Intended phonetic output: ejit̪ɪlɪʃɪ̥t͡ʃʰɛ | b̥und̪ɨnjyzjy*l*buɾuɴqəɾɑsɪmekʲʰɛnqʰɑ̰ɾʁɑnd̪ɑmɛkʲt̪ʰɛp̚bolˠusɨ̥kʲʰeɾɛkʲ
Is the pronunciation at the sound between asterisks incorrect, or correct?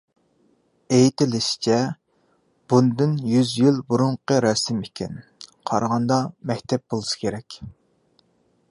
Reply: correct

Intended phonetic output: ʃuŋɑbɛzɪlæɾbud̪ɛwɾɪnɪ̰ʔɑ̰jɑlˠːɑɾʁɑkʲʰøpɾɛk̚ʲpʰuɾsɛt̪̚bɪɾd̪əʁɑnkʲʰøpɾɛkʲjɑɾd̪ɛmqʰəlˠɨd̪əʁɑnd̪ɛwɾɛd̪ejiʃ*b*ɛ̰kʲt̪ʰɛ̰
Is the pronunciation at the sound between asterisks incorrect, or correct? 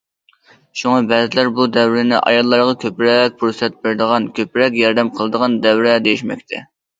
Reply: incorrect: m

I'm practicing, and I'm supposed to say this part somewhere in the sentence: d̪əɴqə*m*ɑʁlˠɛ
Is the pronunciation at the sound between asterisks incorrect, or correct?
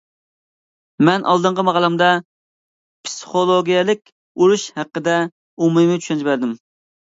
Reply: correct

